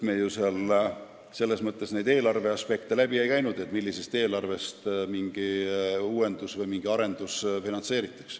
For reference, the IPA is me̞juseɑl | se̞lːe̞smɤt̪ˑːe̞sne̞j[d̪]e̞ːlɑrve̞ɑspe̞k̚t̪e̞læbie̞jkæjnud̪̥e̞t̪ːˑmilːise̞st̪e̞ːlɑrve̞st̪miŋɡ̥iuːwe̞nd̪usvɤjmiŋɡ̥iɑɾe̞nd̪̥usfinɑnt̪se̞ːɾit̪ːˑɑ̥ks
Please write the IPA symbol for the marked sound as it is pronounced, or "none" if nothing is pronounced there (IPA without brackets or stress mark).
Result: d̪